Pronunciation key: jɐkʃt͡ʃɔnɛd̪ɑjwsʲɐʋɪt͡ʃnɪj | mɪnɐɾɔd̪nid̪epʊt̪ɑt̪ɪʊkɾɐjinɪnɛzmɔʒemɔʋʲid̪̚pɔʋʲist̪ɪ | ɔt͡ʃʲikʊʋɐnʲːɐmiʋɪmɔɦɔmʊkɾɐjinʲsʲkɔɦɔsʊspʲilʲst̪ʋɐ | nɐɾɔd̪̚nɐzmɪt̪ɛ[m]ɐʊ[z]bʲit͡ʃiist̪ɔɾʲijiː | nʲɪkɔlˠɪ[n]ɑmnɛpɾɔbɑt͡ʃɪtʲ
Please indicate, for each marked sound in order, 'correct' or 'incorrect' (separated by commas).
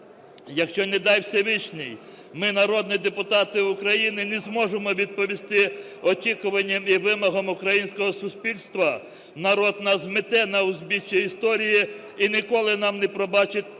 incorrect, correct, correct